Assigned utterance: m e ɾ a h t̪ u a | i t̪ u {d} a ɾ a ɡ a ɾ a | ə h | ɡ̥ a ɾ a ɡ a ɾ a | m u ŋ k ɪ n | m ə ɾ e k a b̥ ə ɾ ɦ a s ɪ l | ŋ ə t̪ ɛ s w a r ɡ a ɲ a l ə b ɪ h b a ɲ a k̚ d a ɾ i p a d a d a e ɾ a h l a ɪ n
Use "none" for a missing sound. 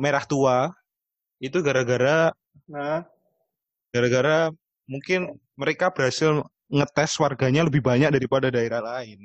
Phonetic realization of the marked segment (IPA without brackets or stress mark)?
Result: ɡ